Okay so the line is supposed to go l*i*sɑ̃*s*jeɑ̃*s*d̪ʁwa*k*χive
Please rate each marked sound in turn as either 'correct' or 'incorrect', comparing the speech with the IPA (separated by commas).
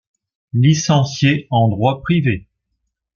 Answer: correct, correct, incorrect, incorrect